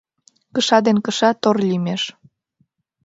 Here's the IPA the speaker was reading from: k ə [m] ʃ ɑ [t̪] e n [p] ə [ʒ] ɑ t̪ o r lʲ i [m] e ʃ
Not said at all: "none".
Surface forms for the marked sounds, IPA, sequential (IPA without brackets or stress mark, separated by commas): none, d̪, k, ʃ, m